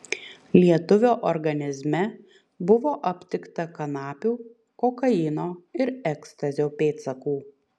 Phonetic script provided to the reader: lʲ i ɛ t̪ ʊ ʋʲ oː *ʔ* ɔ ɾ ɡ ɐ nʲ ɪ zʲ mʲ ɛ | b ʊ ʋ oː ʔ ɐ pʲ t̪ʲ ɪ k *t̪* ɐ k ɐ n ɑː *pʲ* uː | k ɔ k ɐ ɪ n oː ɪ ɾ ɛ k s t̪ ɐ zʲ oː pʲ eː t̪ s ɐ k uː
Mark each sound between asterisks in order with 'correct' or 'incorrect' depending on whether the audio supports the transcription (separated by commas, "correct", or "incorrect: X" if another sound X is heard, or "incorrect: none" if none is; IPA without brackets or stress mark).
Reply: correct, correct, correct